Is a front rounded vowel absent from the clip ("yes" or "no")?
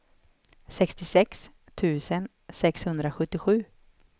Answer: yes